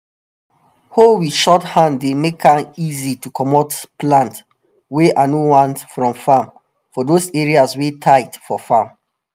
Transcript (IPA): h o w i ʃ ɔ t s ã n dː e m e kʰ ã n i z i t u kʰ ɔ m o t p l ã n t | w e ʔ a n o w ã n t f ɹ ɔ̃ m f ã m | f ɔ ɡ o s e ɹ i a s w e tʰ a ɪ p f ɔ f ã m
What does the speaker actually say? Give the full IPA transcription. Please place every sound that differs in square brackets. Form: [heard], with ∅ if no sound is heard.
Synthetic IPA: h o w i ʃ ɔ t [h] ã n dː e m e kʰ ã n i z i t u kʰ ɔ m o t p l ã n t | w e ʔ a n o w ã n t f ɹ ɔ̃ m f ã m | f ɔ [d] o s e ɹ i a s w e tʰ a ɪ [t] f ɔ f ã m